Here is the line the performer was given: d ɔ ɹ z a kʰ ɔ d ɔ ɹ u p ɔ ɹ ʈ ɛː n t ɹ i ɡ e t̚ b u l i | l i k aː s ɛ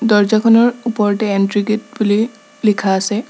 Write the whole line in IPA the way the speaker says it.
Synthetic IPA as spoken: d ɔ ɹ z a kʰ ɔ n ɔ ɹ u p ɔ ɹ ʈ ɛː n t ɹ i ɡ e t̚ b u l i | l i kʰ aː s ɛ